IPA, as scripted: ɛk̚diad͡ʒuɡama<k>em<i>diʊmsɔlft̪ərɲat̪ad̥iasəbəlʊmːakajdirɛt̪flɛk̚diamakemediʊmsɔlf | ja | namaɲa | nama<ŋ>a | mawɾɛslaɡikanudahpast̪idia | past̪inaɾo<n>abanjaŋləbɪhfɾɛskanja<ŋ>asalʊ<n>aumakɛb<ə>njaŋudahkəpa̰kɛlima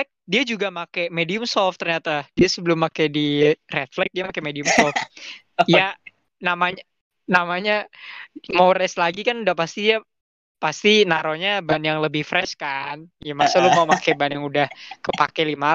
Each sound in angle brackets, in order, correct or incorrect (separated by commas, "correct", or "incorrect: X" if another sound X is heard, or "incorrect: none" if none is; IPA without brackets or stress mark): correct, incorrect: e, incorrect: ɲ, incorrect: ɲ, incorrect: m, incorrect: m, incorrect: a